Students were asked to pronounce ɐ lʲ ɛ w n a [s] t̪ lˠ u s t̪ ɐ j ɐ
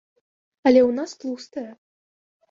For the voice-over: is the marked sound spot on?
yes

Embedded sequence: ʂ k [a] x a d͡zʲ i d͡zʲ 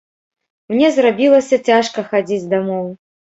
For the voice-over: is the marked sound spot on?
no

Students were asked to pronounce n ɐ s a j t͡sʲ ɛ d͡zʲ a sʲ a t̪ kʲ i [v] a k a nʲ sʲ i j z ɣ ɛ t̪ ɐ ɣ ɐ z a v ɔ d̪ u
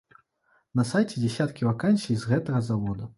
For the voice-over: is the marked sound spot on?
yes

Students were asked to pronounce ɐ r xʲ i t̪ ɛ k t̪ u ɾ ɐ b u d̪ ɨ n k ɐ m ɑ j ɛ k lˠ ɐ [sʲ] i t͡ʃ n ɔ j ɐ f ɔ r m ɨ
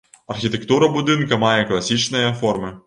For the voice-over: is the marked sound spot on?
yes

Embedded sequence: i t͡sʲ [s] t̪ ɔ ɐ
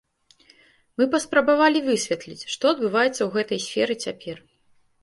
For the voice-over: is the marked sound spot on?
no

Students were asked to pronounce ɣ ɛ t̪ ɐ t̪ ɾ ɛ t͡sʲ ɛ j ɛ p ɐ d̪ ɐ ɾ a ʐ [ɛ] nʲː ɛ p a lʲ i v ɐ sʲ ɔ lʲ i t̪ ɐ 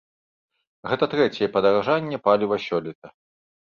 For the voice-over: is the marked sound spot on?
no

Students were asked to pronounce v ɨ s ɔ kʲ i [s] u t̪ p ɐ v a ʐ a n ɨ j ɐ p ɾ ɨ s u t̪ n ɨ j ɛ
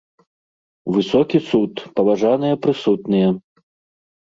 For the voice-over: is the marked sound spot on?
yes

